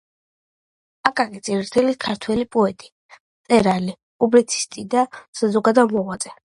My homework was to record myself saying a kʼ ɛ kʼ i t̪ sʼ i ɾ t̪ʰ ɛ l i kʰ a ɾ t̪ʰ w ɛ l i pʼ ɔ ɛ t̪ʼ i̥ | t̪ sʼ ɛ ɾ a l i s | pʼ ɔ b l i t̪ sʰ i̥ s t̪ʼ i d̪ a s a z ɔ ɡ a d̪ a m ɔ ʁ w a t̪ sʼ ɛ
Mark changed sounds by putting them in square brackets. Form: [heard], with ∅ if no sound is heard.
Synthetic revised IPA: a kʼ [a] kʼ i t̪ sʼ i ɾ t̪ʰ ɛ l i kʰ a ɾ t̪ʰ w ɛ l i pʼ ɔ ɛ t̪ʼ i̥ | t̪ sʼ ɛ ɾ a l i [∅] | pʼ [u] b l i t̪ sʰ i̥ s t̪ʼ i d̪ a s a z ɔ ɡ a d̪ a m ɔ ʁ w a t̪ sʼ ɛ